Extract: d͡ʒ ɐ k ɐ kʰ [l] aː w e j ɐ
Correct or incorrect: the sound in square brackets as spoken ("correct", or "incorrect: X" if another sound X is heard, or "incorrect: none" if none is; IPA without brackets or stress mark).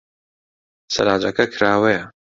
incorrect: ɾ